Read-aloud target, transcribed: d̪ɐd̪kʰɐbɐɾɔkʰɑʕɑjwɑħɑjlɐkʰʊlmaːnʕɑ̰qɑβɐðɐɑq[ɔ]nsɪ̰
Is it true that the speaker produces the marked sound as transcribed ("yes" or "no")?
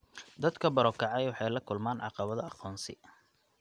no